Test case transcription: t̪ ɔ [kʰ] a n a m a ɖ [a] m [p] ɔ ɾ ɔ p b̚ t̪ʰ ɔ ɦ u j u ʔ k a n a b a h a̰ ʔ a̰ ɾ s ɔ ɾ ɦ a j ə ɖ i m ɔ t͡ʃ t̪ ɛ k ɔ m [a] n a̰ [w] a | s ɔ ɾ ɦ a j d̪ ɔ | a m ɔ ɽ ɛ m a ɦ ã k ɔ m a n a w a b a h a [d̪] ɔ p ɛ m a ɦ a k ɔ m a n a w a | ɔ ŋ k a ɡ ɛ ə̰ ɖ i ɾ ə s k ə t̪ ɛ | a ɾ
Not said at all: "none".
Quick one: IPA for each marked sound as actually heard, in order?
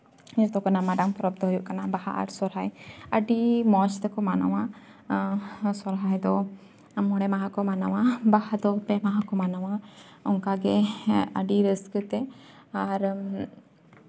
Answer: k, a, p, a, w, d̪

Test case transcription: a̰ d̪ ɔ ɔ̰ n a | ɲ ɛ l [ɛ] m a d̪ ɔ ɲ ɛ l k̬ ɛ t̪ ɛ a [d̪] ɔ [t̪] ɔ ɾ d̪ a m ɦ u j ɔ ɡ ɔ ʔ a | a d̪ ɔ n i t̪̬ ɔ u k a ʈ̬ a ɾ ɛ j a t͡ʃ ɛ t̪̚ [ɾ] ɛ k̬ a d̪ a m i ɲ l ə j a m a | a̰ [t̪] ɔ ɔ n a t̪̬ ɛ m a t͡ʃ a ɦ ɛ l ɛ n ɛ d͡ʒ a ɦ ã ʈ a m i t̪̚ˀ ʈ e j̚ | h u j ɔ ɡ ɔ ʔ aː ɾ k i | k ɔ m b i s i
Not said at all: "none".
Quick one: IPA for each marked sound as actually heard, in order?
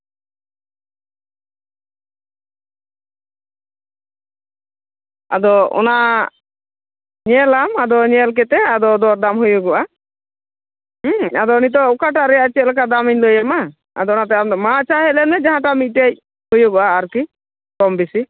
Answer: a, d̪, d̪, l, d̪

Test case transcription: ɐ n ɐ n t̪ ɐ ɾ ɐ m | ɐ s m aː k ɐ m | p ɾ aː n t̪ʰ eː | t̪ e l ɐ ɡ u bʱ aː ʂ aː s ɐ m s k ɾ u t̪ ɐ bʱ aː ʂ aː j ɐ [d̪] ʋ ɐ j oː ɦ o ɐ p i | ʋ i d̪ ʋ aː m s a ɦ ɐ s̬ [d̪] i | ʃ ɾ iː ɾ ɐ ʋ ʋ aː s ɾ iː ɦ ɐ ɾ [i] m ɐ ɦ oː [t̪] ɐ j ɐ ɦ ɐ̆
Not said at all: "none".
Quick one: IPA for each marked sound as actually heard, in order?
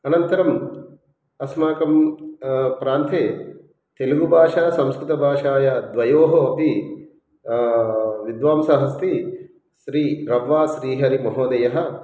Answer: d̪, t̪, i, d̪

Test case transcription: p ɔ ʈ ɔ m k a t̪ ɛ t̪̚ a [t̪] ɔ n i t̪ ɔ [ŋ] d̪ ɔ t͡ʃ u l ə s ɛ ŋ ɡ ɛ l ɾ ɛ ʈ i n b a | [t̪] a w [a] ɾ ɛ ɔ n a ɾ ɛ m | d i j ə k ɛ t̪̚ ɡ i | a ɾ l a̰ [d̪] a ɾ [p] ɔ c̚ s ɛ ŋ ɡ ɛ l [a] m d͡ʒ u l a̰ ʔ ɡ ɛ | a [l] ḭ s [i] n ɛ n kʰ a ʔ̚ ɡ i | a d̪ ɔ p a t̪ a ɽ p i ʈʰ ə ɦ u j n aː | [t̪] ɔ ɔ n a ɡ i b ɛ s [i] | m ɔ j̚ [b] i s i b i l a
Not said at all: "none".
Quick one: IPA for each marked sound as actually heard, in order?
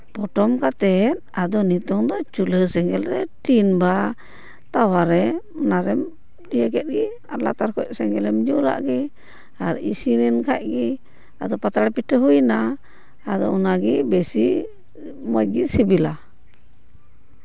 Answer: d̪, ŋ, t̪, a, t̪, k, ɛ, ɾ, i, d̪, i, ɡ

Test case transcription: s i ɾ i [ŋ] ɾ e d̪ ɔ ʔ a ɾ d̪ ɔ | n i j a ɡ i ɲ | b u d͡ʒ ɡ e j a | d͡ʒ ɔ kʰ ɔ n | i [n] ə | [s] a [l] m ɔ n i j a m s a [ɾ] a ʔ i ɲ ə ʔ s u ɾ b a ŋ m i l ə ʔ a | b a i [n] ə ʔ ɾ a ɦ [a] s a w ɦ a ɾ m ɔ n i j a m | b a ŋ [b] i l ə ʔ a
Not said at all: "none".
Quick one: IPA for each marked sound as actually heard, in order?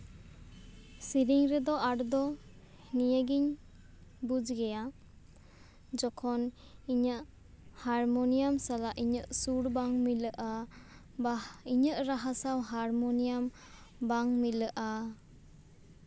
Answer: ŋ, ɲ, h, ɾ, l, ɲ, a, m

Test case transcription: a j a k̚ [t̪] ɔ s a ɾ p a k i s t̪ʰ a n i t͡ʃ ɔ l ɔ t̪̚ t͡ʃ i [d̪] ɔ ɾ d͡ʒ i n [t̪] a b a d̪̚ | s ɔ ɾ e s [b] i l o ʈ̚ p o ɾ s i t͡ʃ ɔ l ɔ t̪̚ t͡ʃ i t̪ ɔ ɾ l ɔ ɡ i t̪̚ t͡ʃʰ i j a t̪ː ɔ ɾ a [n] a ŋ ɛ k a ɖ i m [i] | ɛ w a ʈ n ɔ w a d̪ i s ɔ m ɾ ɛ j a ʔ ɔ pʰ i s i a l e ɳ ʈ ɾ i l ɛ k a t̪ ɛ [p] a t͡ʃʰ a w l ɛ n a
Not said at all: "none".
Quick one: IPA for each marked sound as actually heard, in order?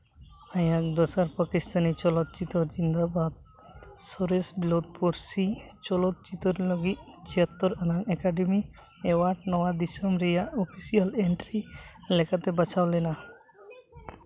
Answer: d̪, t̪, d̪, b, n, i, b

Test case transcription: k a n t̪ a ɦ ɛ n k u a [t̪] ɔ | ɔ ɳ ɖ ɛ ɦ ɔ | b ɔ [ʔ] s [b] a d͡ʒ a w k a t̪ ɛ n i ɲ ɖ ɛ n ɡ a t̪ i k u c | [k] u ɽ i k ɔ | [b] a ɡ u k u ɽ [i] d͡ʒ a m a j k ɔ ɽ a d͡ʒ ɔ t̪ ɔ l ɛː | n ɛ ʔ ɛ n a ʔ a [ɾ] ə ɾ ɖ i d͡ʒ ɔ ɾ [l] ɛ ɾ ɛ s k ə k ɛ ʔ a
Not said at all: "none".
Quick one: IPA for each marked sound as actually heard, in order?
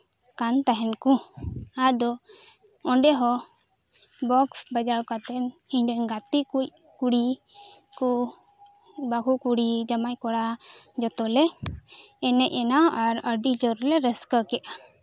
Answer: d̪, k, b, k, b, i, ɾ, l

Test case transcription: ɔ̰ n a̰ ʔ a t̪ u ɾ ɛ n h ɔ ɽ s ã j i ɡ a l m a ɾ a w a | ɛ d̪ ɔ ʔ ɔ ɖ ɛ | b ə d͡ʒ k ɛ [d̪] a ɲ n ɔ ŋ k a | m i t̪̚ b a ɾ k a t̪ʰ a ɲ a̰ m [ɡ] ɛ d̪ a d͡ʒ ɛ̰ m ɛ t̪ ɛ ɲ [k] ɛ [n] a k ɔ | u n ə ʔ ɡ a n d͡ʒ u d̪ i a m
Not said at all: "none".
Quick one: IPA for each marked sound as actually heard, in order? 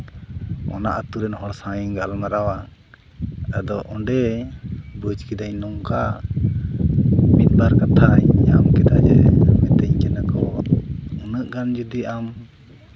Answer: d̪, k, k, n

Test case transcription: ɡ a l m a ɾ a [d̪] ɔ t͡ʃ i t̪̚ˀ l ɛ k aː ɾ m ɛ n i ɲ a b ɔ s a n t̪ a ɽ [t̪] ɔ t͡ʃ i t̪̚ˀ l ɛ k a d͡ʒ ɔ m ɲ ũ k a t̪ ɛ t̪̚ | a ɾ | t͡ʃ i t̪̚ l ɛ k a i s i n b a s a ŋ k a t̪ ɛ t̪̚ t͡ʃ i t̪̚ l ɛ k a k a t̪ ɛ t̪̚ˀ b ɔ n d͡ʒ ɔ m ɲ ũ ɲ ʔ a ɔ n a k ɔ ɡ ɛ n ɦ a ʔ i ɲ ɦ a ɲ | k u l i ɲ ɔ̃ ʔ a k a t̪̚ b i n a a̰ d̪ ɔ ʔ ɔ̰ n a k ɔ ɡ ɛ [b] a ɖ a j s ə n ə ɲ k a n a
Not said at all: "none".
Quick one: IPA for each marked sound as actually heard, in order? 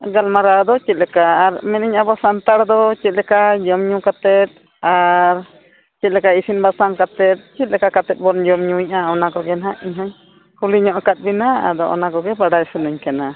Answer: d̪, d̪, b

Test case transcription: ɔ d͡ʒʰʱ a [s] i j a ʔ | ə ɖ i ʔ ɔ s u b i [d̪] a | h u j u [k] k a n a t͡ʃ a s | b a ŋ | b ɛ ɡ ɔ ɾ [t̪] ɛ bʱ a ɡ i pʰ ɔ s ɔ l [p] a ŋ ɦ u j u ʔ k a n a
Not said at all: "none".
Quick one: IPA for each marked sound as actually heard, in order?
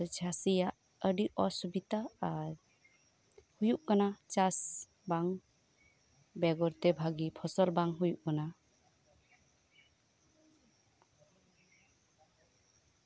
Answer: s, t̪, ʔ, t̪, b

